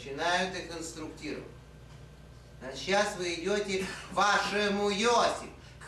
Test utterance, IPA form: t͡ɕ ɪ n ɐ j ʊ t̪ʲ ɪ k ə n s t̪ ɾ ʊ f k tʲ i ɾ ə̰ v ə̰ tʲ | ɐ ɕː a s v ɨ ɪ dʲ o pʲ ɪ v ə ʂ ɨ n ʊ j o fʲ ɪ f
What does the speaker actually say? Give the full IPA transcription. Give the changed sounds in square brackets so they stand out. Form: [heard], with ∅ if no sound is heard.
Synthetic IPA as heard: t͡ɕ ɪ n [a] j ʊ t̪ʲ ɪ k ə n s t̪ ɾ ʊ [∅] k tʲ i ɾ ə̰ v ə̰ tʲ | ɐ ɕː a s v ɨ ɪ dʲ o [tʲ] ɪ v [a] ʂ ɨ [m] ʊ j o [sʲ] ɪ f